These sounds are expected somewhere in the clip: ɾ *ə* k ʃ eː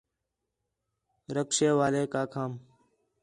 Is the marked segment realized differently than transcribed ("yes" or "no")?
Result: no